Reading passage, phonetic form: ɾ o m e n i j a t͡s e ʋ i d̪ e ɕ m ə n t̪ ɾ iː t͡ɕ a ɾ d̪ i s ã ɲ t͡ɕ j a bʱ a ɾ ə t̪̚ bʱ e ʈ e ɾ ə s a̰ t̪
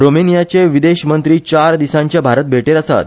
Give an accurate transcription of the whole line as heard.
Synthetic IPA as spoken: ɾ o m e n i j a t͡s e ʋ i d̪ e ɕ m ə n t̪ ɾ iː t͡ɕ a ɾ d̪ i s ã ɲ t͡ɕ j a bʱ a ɾ ə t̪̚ bʱ e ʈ e ɾ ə s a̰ t̪